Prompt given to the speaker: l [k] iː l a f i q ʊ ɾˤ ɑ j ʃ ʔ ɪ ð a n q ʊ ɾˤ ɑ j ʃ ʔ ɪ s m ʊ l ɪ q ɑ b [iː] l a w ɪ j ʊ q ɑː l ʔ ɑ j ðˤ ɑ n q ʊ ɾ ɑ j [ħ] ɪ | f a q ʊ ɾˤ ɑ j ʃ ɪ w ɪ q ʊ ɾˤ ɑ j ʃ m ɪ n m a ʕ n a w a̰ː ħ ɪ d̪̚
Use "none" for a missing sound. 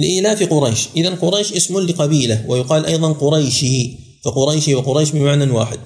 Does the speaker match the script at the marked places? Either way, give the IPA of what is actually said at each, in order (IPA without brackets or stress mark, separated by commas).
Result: ʔ, iː, ʃ